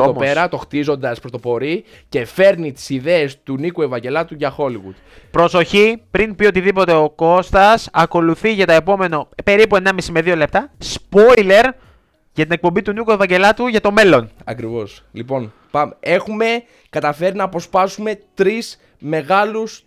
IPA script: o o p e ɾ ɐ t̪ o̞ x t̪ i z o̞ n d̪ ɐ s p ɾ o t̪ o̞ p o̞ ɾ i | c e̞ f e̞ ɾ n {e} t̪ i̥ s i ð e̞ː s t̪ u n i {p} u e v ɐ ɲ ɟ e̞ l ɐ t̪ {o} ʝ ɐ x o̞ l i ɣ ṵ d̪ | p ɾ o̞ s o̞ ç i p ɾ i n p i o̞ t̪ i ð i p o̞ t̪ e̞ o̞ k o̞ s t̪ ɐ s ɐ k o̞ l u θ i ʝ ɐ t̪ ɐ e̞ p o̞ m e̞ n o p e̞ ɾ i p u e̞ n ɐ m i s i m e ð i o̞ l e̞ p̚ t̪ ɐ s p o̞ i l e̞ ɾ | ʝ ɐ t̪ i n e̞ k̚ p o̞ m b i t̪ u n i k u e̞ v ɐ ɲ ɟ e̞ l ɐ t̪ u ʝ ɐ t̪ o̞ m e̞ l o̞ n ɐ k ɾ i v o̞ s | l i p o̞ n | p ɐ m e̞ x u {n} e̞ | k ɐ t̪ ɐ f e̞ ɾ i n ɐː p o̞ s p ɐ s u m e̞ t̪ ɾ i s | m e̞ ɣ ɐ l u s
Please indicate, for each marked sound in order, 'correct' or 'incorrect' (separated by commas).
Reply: incorrect, incorrect, incorrect, incorrect